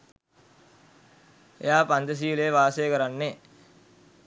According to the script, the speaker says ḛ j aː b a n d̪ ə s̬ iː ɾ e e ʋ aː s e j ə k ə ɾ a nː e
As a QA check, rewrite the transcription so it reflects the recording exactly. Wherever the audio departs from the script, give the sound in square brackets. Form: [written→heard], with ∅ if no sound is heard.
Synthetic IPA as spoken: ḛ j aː [b→p] a n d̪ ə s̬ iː [ɾ→l] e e ʋ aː s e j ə k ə ɾ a nː e